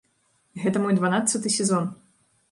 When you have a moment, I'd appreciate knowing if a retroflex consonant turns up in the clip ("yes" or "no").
no